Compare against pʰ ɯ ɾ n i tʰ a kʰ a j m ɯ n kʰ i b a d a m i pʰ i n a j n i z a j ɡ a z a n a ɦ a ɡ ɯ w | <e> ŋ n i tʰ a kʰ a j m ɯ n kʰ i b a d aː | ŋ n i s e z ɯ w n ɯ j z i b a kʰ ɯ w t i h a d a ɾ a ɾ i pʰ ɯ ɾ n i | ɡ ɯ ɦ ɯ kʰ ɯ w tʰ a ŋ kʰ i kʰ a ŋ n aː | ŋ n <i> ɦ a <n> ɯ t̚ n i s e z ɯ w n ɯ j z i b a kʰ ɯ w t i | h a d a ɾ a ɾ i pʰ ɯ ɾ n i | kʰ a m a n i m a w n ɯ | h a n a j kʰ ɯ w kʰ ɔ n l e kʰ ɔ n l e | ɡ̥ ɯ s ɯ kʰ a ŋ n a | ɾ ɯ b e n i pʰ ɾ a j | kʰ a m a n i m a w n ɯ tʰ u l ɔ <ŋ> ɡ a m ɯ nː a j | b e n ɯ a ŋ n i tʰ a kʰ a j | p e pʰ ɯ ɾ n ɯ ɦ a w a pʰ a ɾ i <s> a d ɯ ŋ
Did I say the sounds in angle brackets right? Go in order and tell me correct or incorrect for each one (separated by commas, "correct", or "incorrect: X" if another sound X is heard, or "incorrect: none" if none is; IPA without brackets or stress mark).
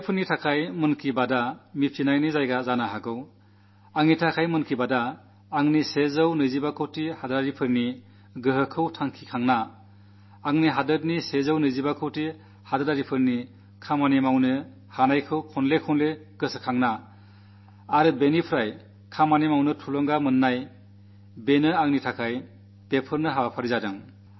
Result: incorrect: a, correct, incorrect: d, correct, incorrect: z